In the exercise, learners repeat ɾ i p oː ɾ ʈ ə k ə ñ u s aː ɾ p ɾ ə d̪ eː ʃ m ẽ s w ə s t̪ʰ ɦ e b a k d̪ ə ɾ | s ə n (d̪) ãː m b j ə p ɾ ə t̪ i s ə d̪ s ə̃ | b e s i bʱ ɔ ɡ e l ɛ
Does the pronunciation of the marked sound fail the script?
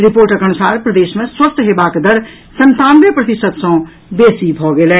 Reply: yes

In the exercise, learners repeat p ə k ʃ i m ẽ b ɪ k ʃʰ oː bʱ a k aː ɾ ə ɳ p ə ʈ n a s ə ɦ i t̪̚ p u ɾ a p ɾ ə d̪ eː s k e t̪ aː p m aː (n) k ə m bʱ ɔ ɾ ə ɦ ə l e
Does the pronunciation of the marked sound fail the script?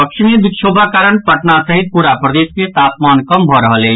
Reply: no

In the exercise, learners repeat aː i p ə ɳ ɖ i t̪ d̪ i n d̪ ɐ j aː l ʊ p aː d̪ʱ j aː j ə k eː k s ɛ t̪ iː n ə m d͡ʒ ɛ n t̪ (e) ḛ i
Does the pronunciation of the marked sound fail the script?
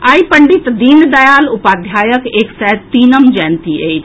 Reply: yes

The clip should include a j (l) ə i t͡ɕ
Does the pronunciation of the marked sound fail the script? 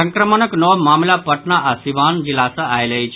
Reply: no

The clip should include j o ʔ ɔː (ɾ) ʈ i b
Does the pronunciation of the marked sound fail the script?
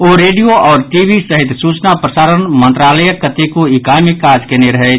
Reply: no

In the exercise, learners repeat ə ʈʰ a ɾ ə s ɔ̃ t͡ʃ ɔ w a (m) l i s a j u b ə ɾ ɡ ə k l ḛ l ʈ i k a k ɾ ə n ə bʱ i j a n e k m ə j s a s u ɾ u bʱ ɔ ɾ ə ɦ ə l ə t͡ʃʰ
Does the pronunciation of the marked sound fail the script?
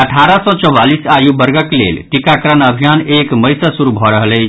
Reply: yes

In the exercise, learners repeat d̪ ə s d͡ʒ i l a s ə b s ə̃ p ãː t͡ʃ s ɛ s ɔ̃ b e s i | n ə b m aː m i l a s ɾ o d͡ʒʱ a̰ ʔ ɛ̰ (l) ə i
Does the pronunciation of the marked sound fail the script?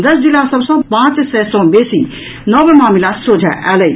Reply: no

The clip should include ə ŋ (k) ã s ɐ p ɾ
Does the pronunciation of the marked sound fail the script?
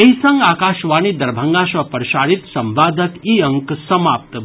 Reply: yes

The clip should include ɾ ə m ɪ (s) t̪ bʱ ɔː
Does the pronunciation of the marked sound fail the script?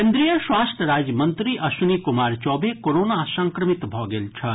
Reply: yes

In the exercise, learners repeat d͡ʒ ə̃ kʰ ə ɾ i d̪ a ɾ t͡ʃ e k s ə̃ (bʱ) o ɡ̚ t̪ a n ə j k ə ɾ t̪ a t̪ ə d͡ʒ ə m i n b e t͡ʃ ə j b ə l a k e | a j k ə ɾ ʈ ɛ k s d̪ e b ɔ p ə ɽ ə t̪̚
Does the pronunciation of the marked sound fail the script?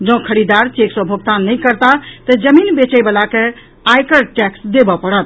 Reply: no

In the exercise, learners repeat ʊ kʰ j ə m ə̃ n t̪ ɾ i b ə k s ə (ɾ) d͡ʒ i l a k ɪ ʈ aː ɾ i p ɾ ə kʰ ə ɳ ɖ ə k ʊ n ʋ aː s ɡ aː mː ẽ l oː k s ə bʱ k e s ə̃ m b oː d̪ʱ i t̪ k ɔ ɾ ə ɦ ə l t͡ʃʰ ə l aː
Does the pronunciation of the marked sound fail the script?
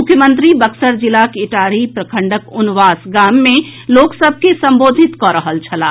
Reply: no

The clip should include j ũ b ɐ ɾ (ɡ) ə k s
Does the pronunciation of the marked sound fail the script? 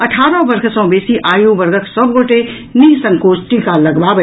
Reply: no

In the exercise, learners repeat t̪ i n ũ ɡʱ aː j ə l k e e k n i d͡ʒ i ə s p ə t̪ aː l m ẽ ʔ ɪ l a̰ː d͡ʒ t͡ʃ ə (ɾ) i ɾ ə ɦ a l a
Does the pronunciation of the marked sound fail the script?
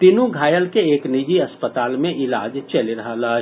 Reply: yes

